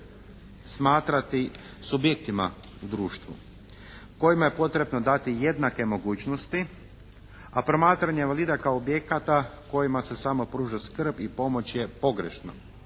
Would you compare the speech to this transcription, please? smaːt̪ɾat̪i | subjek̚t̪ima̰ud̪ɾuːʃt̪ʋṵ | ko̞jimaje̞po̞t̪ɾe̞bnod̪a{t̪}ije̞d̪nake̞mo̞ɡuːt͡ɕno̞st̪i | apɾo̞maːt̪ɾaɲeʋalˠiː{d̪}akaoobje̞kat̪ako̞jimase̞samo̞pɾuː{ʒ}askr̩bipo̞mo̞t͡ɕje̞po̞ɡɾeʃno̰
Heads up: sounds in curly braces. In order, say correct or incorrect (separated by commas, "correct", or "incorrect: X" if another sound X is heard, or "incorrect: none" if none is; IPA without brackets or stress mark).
correct, correct, correct